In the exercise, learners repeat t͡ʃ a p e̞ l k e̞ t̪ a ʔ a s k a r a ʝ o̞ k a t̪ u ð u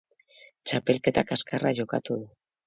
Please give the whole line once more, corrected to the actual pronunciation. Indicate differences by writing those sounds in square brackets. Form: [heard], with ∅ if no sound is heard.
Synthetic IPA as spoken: t͡ʃ a p e̞ l k e̞ t̪ a [k] a s k a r a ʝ o̞ k a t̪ u ð u